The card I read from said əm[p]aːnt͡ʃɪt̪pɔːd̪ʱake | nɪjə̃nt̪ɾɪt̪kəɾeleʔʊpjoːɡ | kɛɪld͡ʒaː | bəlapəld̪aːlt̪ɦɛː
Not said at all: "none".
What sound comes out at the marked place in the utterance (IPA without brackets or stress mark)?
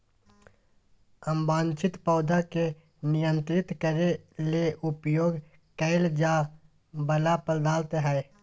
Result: b